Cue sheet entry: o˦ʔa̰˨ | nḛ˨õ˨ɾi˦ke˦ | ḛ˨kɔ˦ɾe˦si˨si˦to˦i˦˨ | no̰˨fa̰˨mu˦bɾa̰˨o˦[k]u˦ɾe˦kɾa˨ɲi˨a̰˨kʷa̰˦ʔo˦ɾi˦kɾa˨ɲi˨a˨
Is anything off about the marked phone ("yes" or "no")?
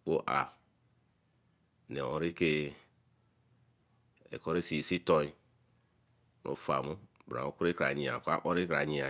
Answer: no